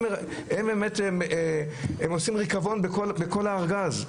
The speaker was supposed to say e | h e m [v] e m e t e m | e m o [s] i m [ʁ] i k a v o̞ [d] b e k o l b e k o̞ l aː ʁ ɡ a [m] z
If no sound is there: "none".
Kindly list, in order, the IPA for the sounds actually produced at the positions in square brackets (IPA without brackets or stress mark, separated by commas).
b, s, ʁ, n, none